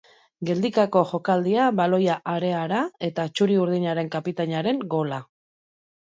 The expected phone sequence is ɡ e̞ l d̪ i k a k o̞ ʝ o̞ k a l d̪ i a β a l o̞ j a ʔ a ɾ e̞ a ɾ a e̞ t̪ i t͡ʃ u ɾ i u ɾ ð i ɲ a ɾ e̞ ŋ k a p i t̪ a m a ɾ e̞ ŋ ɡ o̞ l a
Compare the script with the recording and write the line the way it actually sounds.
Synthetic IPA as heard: ɡ e̞ l d̪ i k a k o̞ ʝ o̞ k a l d̪ i a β a l o̞ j a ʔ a ɾ e̞ a ɾ a e̞ t̪ a t͡ʃ u ɾ i u ɾ ð i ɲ a ɾ e̞ ŋ k a p i t̪ a ɲ a ɾ e̞ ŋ ɡ o̞ l a